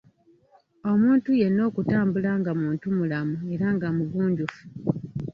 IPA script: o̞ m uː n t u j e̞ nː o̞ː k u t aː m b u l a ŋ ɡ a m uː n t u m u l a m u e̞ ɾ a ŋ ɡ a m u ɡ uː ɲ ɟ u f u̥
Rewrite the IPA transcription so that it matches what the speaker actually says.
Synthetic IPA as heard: o̞ m uː n t u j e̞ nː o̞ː k u t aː m b u l a ŋ ɡ a m uː n t u m u l a m u e̞ ɾ a ŋ ɡ a m u ɡ uː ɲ ɟ u f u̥